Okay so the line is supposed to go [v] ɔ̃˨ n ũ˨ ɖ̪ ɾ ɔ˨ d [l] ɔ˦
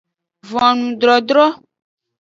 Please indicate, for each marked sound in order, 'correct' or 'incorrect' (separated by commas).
correct, incorrect